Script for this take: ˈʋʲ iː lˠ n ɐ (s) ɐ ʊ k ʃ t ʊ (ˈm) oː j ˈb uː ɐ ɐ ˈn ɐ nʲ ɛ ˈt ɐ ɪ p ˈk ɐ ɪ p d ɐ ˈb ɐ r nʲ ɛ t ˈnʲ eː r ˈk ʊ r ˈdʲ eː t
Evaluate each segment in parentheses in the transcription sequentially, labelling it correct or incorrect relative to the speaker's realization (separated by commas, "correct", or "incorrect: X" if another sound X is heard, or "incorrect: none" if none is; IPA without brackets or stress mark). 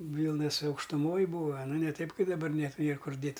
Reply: correct, correct